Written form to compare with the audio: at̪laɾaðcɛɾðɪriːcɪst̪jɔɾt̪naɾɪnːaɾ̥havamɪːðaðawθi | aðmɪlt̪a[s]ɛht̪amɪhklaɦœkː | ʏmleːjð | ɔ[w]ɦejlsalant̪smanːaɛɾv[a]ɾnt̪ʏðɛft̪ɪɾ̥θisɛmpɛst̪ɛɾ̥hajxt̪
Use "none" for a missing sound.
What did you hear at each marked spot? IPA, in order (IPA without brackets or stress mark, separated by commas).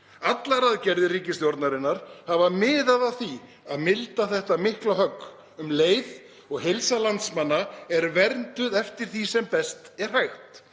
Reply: θ, ɣ, ɛ